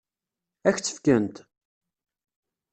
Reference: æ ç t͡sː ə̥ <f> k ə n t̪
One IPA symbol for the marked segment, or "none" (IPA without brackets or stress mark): f